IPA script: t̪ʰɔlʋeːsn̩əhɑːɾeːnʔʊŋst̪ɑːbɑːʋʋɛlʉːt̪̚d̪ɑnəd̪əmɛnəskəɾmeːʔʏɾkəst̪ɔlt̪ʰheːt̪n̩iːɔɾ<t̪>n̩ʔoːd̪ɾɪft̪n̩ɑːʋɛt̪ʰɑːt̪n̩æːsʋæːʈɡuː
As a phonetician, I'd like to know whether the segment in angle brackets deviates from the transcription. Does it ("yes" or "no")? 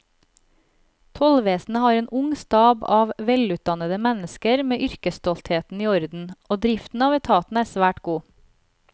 yes